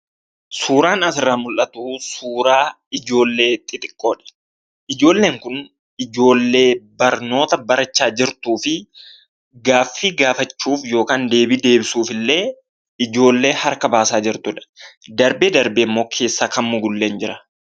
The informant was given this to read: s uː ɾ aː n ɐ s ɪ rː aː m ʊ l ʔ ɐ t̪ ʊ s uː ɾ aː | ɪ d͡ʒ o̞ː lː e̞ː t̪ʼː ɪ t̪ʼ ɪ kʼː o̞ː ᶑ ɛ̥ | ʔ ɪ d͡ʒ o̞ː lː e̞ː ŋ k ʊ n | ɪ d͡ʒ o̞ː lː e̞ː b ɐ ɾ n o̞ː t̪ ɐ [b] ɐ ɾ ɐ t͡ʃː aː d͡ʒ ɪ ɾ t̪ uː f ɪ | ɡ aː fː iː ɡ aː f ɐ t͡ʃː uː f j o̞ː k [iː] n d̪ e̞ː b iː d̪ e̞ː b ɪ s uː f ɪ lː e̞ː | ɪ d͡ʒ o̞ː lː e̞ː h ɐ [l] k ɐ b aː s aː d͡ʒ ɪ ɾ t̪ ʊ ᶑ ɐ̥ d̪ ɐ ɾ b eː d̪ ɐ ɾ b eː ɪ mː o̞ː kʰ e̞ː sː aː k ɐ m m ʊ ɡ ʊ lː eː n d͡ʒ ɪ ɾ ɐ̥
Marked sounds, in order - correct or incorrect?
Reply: correct, incorrect: aː, incorrect: ɾ

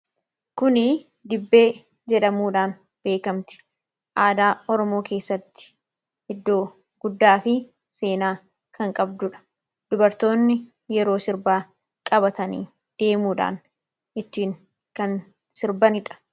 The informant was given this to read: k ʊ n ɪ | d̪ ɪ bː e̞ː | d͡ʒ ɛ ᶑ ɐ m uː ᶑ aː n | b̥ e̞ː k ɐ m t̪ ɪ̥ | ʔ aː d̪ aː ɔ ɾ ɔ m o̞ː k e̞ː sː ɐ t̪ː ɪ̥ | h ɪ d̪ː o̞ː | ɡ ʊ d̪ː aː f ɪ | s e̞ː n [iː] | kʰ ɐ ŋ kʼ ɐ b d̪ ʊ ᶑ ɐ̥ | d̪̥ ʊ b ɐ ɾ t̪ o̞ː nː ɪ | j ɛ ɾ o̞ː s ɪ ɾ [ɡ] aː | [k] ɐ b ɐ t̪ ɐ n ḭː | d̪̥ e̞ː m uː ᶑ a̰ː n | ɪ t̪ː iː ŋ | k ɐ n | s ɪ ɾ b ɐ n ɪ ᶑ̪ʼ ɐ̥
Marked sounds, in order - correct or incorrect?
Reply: incorrect: aː, incorrect: b, incorrect: kʼ

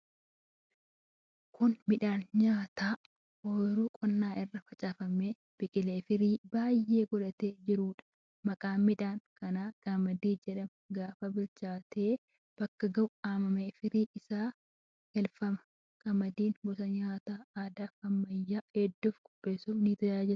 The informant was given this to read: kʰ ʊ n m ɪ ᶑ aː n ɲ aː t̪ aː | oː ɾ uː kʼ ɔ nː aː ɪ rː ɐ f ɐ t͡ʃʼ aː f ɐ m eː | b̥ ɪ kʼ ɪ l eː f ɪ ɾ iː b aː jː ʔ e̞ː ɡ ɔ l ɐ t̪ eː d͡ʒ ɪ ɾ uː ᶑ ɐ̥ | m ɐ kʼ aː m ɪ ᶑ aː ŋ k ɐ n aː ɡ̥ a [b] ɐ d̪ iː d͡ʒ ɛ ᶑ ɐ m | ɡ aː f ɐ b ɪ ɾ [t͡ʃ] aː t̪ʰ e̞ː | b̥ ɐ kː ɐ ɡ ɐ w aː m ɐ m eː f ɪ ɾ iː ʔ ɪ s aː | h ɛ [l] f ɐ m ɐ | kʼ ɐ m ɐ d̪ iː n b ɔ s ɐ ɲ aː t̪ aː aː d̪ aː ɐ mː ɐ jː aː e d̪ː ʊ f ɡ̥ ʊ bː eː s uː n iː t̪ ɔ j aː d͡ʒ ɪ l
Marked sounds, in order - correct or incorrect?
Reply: incorrect: m, correct, correct

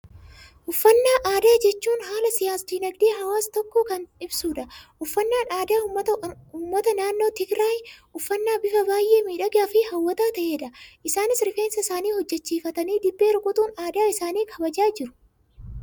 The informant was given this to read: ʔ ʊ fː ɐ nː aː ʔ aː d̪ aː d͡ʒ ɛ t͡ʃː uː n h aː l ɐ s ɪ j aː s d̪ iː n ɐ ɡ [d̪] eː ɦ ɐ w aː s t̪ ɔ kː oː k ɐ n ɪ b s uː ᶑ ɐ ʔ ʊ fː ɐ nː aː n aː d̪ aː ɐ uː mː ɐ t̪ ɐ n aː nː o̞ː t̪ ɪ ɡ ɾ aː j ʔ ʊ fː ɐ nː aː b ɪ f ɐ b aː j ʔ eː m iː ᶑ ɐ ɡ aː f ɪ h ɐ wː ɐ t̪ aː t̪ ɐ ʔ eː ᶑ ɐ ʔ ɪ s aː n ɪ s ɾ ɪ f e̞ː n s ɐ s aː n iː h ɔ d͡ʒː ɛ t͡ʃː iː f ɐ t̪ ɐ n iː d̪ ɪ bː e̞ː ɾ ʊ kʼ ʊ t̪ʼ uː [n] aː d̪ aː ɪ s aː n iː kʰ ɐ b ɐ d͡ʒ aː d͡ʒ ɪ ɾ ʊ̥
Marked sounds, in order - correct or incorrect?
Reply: correct, correct

